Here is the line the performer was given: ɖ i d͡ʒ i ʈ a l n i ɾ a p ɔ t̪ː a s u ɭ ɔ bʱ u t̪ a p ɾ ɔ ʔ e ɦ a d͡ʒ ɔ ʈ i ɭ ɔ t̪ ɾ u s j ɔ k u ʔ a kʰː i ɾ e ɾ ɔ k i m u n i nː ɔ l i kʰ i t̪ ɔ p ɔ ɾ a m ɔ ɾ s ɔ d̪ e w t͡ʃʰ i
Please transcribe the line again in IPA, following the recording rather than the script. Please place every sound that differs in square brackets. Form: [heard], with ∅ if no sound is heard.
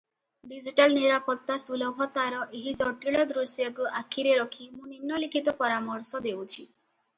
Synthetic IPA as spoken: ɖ i d͡ʒ i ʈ a l n i ɾ a p ɔ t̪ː a s u [l] ɔ bʱ [ɔ] t̪ a [∅] ɾ ɔ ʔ e ɦ [i] d͡ʒ ɔ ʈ i ɭ ɔ [d̪] ɾ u s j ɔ k u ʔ a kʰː i ɾ e ɾ ɔ [kʰ] i m [ũ] n i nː ɔ l i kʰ i t̪ ɔ p ɔ ɾ a m ɔ ɾ s ɔ d̪ e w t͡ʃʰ i